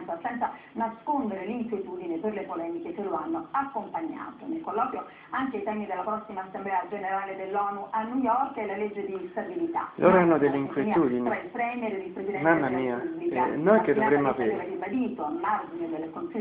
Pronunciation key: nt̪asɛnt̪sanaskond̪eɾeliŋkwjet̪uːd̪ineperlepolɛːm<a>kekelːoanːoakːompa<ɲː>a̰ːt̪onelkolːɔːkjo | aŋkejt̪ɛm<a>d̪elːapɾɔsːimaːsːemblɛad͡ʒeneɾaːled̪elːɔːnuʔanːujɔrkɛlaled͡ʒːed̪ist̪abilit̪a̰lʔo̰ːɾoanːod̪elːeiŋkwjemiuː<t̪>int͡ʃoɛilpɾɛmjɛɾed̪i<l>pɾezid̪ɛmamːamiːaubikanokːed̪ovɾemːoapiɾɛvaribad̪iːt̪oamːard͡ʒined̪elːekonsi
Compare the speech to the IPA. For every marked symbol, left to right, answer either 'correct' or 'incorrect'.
incorrect: i, correct, incorrect: i, incorrect: d̪, correct

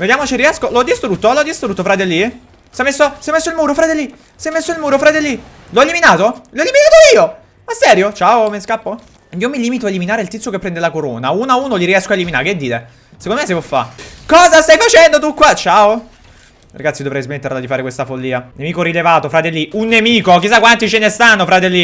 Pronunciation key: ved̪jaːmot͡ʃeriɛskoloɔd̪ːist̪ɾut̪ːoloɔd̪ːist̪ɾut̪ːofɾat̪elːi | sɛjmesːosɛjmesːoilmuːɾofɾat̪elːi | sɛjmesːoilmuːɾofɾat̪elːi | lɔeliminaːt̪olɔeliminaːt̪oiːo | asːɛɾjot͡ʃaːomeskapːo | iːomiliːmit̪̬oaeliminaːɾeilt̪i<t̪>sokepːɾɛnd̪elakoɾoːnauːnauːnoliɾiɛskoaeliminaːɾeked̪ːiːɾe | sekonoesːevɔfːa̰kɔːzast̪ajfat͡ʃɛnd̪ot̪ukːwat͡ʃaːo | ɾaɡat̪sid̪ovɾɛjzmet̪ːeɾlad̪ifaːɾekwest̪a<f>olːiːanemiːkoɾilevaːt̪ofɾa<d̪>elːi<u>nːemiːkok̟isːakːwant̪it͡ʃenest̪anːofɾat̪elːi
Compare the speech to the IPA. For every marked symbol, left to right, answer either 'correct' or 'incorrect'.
correct, correct, incorrect: t̪, correct

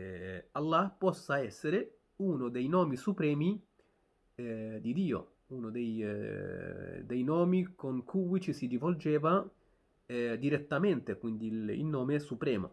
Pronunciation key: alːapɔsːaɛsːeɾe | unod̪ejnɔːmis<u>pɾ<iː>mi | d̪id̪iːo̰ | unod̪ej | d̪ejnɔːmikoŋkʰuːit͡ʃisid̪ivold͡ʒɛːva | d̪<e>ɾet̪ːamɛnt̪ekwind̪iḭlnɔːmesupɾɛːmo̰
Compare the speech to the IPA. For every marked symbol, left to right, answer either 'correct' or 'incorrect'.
correct, incorrect: ɛː, incorrect: i

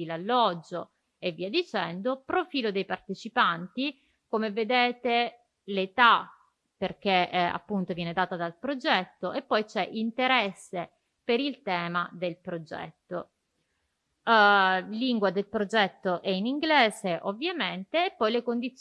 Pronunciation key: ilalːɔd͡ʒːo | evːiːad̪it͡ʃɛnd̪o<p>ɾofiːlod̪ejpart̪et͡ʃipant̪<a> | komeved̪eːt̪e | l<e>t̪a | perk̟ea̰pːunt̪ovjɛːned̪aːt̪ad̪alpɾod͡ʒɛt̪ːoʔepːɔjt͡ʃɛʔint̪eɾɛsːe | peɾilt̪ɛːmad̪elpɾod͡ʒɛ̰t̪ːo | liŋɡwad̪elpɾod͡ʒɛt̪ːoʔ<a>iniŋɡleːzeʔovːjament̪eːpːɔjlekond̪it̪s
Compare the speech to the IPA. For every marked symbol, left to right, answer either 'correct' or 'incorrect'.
correct, incorrect: i, correct, incorrect: ɛ

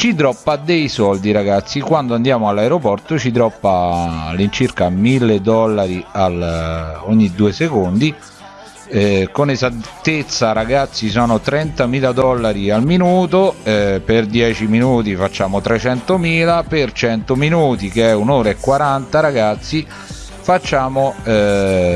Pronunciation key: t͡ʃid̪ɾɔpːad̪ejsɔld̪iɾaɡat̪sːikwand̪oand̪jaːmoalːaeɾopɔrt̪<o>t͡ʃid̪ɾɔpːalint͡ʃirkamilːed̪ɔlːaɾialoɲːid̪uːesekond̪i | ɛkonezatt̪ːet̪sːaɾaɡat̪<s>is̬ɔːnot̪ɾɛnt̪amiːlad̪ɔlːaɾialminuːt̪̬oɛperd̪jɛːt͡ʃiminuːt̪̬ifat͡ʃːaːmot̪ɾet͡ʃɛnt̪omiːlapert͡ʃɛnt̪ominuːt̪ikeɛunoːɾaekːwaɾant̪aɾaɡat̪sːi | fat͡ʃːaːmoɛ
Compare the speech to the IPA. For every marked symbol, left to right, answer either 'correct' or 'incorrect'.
correct, incorrect: sː

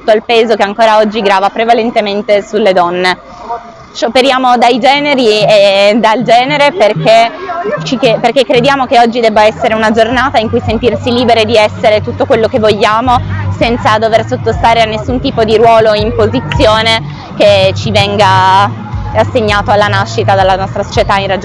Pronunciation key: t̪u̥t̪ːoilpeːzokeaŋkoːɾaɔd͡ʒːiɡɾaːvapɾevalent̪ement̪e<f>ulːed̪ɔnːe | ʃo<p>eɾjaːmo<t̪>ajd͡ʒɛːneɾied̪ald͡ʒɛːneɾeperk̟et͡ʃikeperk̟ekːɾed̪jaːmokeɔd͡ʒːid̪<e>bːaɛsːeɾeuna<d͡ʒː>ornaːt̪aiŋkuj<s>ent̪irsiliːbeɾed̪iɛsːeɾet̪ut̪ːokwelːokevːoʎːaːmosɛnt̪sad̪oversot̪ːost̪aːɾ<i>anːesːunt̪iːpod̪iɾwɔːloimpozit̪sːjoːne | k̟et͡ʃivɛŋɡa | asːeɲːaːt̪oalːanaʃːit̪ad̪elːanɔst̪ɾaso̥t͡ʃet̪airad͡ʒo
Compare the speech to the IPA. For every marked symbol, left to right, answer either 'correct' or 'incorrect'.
incorrect: s, correct, incorrect: d̪, incorrect: ɛ, incorrect: d͡ʒ, correct, incorrect: e

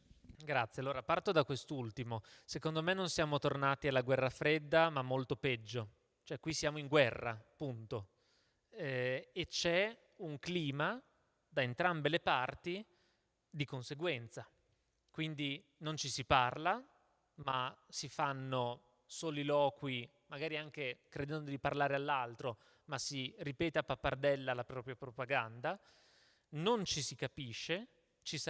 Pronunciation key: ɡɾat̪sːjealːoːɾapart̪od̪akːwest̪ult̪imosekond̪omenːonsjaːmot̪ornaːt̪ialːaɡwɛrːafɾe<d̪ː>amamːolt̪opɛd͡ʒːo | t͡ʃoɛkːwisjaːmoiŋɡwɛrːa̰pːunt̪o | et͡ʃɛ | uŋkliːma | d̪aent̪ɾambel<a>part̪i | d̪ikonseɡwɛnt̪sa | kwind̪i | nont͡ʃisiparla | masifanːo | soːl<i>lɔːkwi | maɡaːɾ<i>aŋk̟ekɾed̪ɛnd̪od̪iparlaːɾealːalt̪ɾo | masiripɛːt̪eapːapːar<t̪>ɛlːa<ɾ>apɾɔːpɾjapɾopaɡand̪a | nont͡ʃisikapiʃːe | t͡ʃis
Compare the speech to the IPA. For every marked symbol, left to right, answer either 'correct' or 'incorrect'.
correct, incorrect: e, correct, correct, incorrect: d̪, incorrect: l

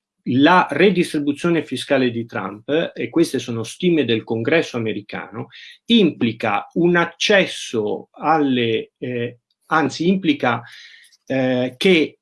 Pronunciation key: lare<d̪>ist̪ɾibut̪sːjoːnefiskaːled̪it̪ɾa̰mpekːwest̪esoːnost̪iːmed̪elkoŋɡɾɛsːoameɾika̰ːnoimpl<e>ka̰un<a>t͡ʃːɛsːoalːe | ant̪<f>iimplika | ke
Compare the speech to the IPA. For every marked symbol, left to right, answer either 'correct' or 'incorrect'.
correct, incorrect: i, correct, incorrect: s

